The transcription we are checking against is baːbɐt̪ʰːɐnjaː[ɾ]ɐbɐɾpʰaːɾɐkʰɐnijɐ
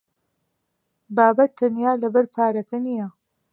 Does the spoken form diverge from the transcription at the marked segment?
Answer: yes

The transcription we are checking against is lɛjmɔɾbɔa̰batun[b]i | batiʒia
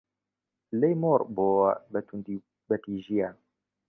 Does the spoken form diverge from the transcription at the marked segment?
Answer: yes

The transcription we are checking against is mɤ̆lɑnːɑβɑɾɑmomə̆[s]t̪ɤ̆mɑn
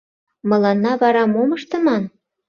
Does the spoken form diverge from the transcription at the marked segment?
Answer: yes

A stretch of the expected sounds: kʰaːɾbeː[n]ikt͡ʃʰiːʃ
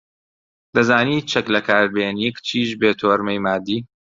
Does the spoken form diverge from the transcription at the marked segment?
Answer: no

